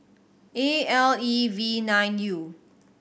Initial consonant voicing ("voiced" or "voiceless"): voiced